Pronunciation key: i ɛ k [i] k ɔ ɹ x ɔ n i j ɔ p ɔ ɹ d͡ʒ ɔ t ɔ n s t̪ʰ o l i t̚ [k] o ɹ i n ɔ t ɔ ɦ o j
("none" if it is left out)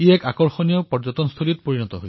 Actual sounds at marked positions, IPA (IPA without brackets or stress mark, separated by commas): a, p